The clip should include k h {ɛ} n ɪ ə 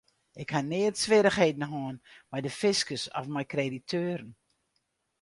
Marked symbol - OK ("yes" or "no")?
no